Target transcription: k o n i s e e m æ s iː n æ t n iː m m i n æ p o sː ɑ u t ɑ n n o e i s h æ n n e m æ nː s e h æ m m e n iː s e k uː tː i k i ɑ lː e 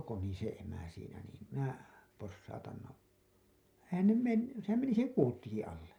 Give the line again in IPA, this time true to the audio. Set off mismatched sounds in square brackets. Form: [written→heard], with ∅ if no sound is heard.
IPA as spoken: k o n i s e e m æ s iː n æ [t→∅] n iː m m i n æ p o sː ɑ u t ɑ n n o e i [s→∅] h æ n n e m [æ→e] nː s e h æ m m e n [iː→i] s e k uː tː i k i ɑ lː e